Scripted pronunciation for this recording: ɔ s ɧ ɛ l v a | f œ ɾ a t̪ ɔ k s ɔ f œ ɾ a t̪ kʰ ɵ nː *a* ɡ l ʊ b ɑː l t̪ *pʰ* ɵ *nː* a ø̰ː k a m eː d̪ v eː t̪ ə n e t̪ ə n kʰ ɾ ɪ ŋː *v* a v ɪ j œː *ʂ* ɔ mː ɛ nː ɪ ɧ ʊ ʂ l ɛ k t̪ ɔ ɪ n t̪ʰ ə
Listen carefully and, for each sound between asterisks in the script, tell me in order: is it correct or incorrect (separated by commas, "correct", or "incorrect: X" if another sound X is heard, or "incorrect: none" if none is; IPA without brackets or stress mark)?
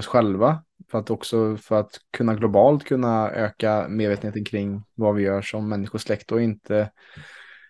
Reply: correct, incorrect: kʰ, correct, correct, correct